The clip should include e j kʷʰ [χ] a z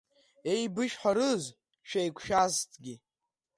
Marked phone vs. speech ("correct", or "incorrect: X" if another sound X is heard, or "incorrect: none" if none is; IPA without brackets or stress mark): incorrect: ʃ